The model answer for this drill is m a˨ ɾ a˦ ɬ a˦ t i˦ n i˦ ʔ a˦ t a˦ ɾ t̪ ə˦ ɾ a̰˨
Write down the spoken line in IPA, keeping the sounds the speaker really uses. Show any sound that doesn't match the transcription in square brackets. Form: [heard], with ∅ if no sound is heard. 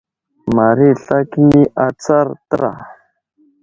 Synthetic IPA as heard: m a˨ ɾ [i˦] ɬ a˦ [k] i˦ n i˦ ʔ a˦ [t͡s] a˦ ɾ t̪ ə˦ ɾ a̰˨